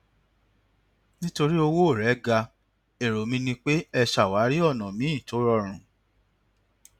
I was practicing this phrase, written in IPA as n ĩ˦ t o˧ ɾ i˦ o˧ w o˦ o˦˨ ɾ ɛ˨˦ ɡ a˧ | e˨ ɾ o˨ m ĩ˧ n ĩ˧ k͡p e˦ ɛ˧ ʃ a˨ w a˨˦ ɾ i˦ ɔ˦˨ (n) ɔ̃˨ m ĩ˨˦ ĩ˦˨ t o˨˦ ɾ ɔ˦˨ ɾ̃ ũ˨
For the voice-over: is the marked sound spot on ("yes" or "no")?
yes